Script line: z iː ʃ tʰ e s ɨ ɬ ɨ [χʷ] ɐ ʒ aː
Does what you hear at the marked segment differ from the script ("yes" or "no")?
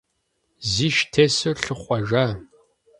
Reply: no